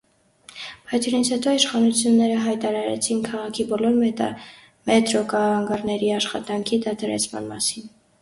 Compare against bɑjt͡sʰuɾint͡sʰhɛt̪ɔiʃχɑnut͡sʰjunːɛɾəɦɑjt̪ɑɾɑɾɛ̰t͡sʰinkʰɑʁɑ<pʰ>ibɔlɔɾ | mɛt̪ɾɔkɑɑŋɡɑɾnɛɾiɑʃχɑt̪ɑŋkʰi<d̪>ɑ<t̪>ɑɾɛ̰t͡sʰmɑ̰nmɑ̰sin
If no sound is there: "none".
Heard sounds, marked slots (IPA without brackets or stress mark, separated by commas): kʰ, d̪, t̪ʰ